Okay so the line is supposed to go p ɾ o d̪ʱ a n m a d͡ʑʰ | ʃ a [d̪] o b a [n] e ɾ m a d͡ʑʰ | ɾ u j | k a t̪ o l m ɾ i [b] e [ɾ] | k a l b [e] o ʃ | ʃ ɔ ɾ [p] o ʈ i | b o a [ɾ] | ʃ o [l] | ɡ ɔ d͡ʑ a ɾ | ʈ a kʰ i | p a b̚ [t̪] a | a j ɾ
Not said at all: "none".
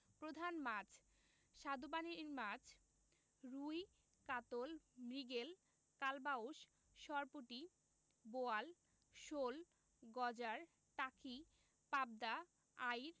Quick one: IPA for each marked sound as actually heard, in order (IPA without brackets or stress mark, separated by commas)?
d̪, n, ɡ, l, a, p, l, l, d̪